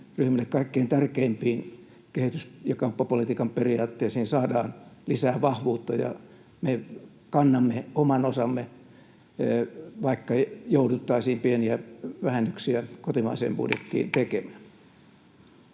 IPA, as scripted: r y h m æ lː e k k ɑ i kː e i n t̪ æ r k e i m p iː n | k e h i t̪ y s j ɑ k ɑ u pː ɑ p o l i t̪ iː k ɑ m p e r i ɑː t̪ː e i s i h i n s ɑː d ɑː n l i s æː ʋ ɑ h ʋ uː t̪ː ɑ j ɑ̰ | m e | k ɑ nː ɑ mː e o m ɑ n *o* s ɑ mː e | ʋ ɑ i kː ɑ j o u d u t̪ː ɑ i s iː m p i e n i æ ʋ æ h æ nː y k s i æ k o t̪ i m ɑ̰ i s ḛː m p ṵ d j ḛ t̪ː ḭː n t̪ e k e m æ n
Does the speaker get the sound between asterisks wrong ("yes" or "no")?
no